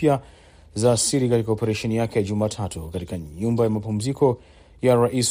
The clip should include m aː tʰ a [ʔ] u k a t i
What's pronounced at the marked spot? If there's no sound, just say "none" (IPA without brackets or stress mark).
t